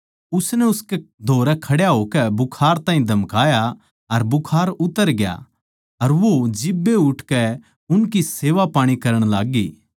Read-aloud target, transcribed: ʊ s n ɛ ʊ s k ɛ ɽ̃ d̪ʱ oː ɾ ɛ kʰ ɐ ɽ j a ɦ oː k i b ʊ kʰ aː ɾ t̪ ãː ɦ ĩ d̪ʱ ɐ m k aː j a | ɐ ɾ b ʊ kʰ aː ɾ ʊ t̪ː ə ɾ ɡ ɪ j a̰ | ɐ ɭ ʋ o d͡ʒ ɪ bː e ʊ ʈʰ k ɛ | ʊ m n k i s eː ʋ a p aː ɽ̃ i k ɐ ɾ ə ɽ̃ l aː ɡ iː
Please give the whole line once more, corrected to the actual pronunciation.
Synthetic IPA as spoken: ʊ s n ɛ ʊ s k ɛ d̪ʱ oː ɾ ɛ kʰ ɐ ɽ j a ɦ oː k ɛ b ʊ kʰ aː ɾ t̪ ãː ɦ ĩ d̪ʱ ɐ m k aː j a | ɐ ɾ b ʊ kʰ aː ɾ ʊ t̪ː ə ɾ ɡ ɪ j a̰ | ɐ ɾ ʋ o d͡ʒ ɪ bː e ʊ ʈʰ k ɛ | ʊ n k i s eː ʋ a p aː ɽ̃ i k ɐ ɾ ə ɽ̃ l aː ɡ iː